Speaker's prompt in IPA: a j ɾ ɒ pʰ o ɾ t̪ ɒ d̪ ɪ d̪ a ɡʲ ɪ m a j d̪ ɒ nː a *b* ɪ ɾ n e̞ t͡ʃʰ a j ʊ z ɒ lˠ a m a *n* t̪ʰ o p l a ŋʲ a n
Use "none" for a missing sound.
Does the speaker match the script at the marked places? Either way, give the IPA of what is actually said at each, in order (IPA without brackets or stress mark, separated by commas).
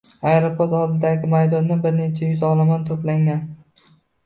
b, n